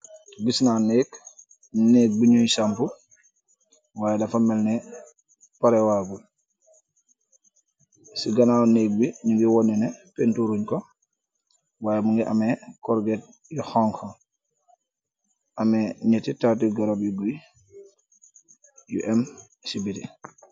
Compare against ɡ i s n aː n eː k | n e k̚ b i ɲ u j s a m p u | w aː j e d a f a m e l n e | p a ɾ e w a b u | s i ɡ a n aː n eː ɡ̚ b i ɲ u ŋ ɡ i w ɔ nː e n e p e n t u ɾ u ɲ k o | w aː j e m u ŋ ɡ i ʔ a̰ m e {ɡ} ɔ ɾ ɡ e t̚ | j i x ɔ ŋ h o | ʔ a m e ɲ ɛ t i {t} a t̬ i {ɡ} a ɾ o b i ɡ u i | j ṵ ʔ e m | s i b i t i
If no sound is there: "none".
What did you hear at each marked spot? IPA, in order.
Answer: k, t, ɡ

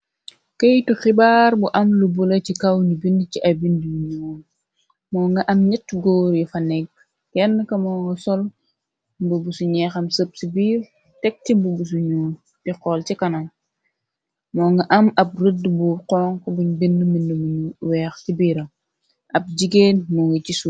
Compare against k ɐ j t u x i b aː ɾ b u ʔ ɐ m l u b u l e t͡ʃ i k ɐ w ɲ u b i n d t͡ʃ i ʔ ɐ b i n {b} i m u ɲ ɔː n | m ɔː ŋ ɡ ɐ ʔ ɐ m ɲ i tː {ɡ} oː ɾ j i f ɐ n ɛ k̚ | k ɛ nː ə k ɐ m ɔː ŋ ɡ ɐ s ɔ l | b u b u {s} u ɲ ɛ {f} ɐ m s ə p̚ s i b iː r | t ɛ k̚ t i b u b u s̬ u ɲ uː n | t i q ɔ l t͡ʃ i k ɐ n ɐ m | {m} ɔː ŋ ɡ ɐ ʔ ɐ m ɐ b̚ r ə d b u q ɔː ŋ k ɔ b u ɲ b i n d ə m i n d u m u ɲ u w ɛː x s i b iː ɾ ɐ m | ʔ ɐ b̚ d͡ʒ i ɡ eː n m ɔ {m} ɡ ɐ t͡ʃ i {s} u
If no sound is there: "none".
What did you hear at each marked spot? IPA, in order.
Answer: d, ɡ, s, x, m, ŋ, s

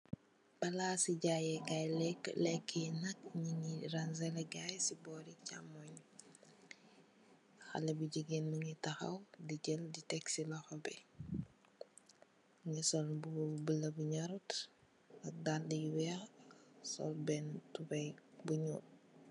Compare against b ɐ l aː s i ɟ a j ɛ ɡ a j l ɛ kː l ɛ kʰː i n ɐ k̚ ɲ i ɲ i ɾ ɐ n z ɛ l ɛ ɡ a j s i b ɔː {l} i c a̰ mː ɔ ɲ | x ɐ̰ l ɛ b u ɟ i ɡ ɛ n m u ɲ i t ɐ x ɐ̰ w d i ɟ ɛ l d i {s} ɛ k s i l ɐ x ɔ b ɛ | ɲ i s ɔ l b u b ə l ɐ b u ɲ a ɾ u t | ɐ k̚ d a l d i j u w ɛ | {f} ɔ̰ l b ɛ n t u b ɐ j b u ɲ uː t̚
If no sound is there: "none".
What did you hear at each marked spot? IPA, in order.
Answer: ɾ, t, s

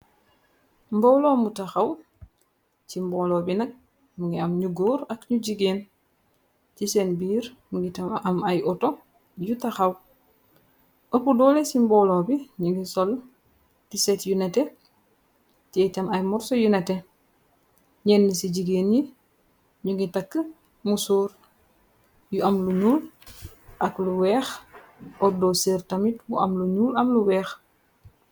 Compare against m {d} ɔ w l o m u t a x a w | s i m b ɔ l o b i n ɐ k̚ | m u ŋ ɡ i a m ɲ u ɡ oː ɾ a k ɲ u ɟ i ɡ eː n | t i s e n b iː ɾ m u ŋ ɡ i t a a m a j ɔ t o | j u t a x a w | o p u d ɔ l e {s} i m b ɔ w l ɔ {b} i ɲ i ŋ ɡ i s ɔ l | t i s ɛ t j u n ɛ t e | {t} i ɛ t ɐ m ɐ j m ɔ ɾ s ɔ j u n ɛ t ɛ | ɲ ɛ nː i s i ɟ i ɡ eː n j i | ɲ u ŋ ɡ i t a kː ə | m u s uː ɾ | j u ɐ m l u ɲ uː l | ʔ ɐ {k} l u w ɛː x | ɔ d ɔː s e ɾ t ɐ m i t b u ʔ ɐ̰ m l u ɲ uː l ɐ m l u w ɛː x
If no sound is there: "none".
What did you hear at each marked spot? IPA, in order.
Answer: b, s, b, t, k

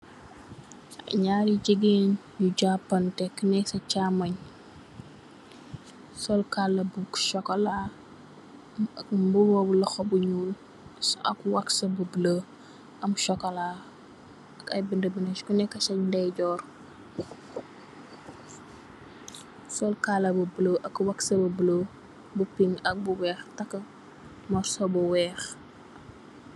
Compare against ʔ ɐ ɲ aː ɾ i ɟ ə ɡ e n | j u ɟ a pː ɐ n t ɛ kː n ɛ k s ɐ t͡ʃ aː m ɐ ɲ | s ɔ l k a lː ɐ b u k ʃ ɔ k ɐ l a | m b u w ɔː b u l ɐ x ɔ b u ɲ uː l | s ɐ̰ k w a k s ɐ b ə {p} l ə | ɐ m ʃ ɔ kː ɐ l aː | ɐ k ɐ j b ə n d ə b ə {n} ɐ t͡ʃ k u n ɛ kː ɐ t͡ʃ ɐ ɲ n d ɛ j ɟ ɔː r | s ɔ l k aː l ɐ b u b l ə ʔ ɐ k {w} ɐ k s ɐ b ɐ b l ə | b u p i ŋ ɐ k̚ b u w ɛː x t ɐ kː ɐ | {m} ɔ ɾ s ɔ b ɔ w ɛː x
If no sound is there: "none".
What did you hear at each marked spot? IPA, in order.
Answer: b, n, w, m

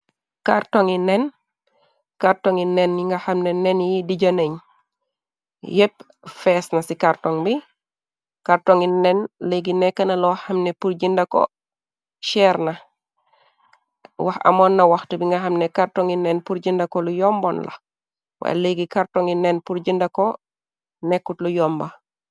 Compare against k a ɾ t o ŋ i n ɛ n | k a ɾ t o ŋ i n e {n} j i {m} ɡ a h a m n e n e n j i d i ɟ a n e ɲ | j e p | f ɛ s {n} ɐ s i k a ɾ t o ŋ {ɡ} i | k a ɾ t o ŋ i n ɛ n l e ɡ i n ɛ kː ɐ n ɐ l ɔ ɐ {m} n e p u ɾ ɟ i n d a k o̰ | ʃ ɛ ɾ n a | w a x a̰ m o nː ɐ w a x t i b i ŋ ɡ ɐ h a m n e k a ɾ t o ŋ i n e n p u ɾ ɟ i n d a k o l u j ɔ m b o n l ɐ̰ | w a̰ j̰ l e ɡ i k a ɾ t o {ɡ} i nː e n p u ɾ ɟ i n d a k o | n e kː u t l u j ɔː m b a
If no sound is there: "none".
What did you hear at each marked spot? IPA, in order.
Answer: n, ŋ, n, b, m, ŋ

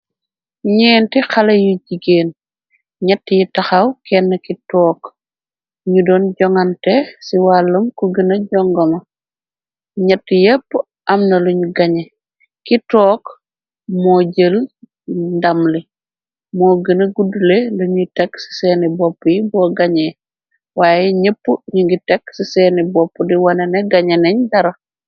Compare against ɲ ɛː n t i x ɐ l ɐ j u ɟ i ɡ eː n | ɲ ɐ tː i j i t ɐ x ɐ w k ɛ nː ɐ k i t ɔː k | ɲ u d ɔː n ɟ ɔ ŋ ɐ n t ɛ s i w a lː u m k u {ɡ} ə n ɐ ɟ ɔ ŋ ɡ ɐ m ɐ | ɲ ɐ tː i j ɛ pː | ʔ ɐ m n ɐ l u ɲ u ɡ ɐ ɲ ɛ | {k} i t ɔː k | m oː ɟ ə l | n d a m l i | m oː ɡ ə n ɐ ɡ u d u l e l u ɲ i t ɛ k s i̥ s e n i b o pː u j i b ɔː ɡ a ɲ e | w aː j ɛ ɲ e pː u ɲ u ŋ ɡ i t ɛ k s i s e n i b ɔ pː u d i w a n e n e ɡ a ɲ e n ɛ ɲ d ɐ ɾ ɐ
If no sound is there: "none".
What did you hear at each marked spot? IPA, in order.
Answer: ɡ, k

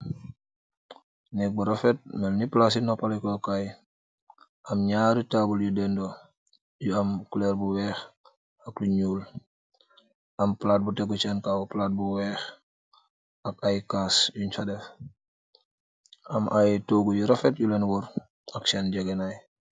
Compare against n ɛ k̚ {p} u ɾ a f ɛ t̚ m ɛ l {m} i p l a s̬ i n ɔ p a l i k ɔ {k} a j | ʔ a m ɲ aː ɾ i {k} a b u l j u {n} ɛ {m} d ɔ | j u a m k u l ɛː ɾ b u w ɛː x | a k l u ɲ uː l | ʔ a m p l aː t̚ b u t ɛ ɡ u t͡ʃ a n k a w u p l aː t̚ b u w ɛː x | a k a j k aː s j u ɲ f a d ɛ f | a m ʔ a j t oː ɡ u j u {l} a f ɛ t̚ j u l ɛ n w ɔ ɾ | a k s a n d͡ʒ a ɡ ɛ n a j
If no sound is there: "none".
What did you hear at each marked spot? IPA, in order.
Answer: b, n, k, t, d, n, ɾ

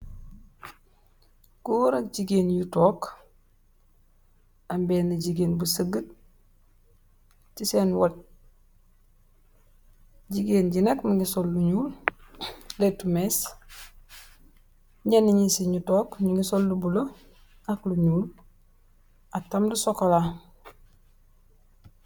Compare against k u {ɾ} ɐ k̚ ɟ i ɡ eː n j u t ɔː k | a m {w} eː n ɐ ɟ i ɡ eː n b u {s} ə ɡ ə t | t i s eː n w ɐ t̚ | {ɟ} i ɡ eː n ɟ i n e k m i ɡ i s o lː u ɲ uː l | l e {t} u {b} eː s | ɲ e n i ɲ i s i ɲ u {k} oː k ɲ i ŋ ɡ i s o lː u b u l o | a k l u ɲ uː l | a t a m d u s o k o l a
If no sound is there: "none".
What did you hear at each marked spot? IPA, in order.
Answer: ɾ, b, s, ɟ, t, m, t

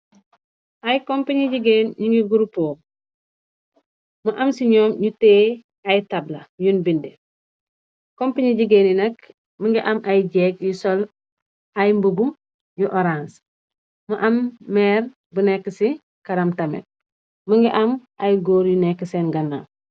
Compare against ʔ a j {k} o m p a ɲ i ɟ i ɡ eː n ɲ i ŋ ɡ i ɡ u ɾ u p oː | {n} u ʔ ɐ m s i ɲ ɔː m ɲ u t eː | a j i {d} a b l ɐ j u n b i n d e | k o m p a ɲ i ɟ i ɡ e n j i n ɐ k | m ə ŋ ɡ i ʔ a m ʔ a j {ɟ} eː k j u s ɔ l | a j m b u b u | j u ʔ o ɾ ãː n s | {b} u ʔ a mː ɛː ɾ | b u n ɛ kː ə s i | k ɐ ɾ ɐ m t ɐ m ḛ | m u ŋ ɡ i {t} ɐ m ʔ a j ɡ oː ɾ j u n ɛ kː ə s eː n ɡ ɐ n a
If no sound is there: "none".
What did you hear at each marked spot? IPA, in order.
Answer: k, m, t, ɟ, m, ʔ

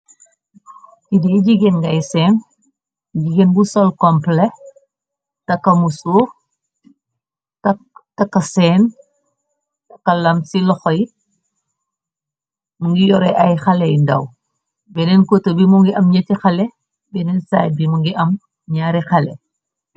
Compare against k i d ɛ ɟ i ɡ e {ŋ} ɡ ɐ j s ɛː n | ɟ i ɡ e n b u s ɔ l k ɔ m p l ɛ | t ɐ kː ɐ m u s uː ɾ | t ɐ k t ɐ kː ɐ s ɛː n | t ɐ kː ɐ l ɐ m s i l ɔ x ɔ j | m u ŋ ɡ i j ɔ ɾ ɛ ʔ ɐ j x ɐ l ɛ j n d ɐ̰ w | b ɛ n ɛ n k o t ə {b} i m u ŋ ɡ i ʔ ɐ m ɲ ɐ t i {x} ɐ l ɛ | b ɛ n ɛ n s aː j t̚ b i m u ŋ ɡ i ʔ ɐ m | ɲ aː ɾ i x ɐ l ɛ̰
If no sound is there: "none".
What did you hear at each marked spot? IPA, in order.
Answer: n, b, x

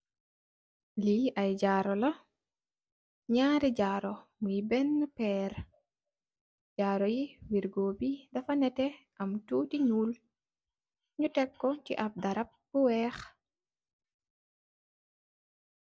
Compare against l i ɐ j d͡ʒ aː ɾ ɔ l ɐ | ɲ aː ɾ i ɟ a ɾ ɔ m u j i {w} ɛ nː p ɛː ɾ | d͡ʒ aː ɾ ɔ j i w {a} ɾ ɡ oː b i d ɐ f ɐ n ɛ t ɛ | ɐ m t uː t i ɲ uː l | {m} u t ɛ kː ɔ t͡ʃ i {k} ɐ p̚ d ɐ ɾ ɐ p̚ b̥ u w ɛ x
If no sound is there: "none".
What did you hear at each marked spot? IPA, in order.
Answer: b, i, ɲ, ʔ

